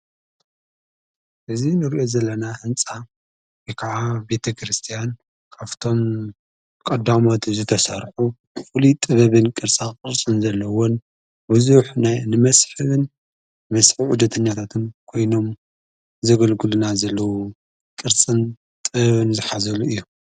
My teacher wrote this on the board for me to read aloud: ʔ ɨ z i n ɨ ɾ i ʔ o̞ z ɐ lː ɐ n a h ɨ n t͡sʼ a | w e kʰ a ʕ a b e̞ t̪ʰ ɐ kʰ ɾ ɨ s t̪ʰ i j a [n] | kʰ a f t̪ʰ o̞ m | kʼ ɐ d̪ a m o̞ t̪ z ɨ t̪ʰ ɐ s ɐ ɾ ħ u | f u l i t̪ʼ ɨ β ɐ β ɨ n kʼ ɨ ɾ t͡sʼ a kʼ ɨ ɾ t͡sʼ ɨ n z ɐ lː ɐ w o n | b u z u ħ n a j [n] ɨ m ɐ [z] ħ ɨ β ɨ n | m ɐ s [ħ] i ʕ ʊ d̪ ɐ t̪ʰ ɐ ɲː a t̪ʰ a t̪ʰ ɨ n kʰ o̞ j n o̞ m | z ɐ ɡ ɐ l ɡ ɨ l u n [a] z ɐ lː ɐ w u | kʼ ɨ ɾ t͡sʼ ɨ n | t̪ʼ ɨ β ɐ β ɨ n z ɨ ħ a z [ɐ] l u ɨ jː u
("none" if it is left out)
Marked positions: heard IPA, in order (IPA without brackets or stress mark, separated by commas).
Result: n, n, s, ħ, a, ɐ